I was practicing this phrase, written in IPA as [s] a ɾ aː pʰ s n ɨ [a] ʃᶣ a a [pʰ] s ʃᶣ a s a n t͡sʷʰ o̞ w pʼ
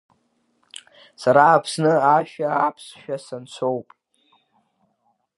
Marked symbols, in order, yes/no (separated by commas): yes, yes, yes